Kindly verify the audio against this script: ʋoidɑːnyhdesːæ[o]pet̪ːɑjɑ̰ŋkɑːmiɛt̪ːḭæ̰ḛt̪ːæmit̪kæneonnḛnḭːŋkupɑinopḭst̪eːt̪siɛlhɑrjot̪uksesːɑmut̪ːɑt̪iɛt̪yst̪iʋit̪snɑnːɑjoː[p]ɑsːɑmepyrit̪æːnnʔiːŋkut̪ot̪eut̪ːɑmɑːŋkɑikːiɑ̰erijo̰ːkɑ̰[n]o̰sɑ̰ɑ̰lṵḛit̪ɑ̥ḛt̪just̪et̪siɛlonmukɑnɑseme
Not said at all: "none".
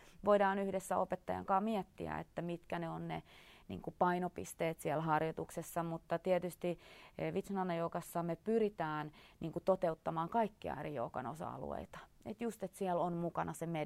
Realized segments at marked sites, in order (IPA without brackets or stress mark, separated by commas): o, k, n